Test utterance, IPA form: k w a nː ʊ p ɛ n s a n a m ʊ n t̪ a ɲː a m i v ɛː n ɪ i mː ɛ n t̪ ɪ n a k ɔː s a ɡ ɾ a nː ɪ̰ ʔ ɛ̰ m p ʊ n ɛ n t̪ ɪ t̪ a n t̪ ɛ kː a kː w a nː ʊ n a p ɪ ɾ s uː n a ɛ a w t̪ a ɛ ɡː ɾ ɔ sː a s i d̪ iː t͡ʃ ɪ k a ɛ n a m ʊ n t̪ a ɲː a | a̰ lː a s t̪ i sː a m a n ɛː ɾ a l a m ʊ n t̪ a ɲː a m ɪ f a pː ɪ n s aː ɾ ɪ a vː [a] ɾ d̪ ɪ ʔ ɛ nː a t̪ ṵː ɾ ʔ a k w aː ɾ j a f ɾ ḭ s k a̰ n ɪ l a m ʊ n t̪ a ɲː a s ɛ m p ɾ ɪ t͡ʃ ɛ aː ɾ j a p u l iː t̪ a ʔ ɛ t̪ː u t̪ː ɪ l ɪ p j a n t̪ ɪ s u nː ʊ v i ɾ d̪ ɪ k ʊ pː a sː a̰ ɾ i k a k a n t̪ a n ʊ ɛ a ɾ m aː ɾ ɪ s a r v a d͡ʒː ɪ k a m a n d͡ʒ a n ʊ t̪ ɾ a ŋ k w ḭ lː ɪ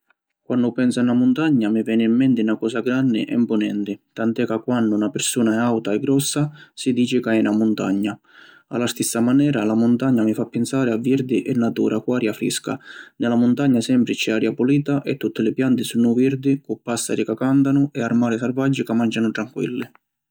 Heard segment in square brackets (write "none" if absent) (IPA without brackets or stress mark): i